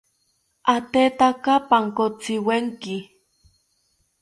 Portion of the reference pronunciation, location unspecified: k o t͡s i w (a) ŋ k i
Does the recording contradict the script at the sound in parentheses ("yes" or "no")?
yes